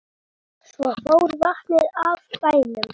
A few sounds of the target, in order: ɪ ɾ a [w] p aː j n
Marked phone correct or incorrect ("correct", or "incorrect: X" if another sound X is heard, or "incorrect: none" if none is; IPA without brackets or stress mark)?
incorrect: v